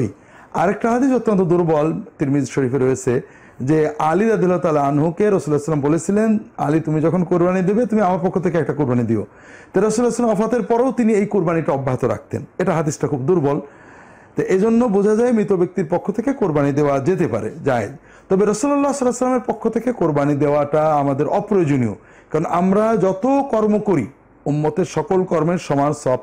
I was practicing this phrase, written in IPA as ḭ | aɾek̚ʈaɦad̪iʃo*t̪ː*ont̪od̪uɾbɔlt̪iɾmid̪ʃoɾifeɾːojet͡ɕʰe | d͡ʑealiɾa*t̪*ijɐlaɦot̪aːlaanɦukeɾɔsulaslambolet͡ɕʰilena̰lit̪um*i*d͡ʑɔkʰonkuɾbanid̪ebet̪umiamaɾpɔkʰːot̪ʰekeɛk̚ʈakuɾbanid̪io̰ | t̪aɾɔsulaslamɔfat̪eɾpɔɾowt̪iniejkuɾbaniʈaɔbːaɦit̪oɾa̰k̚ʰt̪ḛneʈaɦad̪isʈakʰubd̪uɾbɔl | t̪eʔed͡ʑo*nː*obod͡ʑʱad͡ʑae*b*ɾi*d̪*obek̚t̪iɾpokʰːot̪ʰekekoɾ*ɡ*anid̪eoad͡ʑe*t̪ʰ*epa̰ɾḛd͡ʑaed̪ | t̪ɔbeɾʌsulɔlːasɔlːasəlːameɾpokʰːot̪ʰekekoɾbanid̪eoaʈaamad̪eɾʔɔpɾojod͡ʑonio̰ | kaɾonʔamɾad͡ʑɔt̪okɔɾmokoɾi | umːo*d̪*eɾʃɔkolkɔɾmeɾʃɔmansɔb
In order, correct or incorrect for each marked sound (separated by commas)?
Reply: correct, incorrect, correct, correct, incorrect, incorrect, incorrect, incorrect, incorrect